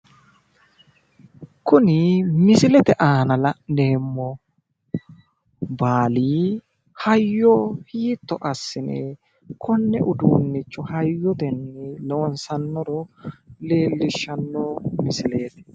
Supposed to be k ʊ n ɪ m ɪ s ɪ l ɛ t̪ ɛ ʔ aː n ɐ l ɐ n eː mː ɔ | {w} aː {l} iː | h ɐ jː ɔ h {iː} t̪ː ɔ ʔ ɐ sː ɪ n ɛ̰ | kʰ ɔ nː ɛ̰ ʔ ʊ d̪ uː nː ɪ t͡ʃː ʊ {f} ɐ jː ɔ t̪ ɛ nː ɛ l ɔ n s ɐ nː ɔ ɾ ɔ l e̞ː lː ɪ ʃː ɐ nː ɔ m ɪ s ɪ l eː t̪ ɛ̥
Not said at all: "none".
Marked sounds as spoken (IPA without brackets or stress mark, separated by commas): b, l, iː, h